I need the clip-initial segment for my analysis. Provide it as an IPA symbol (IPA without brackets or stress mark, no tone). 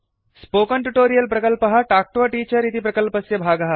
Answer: s